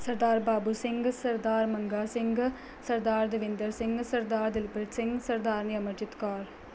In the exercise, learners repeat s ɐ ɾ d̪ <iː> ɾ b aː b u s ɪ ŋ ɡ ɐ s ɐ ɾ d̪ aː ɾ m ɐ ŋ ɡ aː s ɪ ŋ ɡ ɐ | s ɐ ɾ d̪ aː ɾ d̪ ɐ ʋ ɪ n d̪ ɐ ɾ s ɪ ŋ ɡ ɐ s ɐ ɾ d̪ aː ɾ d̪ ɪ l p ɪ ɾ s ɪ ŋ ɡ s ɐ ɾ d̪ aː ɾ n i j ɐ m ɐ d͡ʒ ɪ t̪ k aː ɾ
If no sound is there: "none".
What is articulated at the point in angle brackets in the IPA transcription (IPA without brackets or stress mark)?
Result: aː